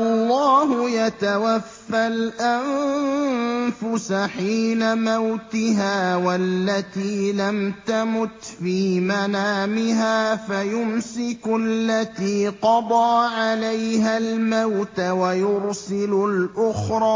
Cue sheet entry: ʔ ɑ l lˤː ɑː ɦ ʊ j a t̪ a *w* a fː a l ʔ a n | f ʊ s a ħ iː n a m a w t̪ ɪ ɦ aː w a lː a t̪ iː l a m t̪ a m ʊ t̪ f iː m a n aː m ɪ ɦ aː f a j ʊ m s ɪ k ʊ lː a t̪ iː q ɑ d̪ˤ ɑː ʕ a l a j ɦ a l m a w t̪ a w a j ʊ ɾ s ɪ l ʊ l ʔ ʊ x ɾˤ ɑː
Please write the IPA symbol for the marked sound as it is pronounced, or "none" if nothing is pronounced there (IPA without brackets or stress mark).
w